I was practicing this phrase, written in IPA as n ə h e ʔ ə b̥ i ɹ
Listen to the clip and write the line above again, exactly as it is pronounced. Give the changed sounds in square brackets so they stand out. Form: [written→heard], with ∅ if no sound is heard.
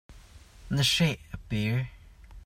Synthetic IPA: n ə [h→ʃ] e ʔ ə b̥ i ɹ